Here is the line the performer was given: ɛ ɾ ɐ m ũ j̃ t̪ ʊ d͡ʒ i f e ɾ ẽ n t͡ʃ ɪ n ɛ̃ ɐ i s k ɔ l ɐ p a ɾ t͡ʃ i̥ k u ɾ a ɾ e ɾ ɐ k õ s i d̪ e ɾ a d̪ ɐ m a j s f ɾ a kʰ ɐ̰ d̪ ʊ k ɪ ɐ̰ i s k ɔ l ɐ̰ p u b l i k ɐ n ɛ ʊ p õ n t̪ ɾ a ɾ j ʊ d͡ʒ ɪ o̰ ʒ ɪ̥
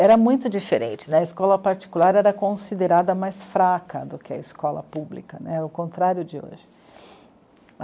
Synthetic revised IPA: ɛ ɾ ɐ m ũ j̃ t̪ ʊ d͡ʒ i f e ɾ ẽ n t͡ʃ ɪ n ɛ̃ ɐ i s k ɔ l ɐ p a ɾ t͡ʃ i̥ k u l a ɾ ɛ ɾ ɐ k õ s i d̪ e ɾ a d̪ ɐ m a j s f ɾ a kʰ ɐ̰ d̪ ʊ k ɪ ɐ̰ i s k ɔ l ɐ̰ p u b l i k ɐ n ɛ ʊ k õ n t̪ ɾ a ɾ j ʊ d͡ʒ ɪ o̰ ʒ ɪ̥

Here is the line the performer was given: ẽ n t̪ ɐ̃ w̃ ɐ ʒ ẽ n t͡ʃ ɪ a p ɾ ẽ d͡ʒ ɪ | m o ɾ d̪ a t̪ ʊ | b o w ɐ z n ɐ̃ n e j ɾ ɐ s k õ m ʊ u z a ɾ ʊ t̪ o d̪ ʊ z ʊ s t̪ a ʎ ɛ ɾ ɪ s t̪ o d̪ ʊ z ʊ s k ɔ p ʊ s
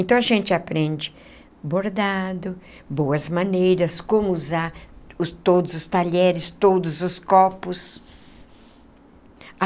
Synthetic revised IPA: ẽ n t̪ ɐ̃ w̃ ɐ ʒ ẽ n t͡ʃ ɪ a p ɾ ẽ d͡ʒ ɪ | b o ɾ d̪ a d̪ ʊ | b o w ɐ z m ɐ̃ n e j ɾ ɐ s k õ m ʊ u z a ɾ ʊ t̪ o d̪ ʊ z ʊ s t̪ a ʎ ɛ ɾ ɪ s t̪ o d̪ ʊ z ʊ s k ɔ p ʊ s

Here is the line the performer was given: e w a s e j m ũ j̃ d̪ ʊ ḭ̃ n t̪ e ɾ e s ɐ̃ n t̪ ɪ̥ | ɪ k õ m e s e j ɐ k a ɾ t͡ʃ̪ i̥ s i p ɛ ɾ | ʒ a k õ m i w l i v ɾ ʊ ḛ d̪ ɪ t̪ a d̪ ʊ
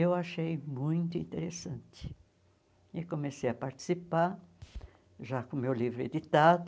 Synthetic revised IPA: e w a ʃ e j m ũ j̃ t̪ ʊ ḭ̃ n t̪ e ɾ e s ɐ̃ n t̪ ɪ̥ | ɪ k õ m e s e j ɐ p a ɾ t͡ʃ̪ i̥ s i p a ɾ | ʒ a k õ m e w l i v ɾ ʊ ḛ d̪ i t̪ a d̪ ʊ

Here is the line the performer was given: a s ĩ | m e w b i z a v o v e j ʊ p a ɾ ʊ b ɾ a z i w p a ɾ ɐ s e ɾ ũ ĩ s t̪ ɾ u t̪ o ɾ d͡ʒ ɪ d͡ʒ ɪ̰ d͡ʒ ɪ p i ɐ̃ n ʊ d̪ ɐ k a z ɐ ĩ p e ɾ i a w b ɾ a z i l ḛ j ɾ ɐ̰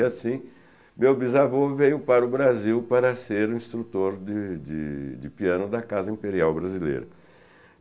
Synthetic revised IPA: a s ĩ | m e w b i z a v o v e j ʊ p a ɾ ʊ b ɾ a z i w p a ɾ ɐ s e ɾ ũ ĩ s t̪ ɾ u t̪ o ɾ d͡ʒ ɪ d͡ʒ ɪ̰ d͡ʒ ɪ p i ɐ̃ n ʊ d̪ ɐ k a z ɐ ĩ p e ɾ i a w b ɾ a z i l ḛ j ɾ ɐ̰

